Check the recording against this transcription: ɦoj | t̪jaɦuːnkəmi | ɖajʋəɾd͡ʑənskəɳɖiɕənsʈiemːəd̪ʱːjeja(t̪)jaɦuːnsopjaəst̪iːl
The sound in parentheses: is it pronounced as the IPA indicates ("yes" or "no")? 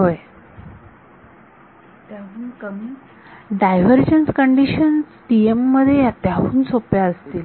yes